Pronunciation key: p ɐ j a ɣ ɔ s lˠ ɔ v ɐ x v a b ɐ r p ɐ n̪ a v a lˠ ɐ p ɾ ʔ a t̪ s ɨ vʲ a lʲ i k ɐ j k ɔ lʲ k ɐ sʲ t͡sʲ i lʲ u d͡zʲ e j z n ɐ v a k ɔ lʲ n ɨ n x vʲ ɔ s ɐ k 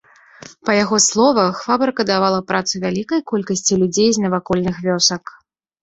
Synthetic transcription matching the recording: p ɐ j a ɣ ɔ s lˠ ɔ v ɐ x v a b ɐ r k ɐ d̪ a v a lˠ ɐ p ɾ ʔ a t̪ s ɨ vʲ a lʲ i k ɐ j k ɔ lʲ k ɐ sʲ t͡sʲ i lʲ u d͡zʲ e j z n ɐ v a k ɔ lʲ n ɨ x vʲ ɔ s ɐ k